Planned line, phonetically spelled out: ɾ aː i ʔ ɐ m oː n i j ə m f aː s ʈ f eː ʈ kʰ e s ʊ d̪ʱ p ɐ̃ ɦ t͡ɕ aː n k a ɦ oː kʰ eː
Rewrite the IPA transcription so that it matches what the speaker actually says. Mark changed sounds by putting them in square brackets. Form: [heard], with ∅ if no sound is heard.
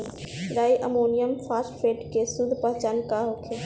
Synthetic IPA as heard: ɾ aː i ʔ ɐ m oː n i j ə m f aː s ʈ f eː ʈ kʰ e s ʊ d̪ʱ p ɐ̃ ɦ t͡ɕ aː n k a ɦ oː kʰ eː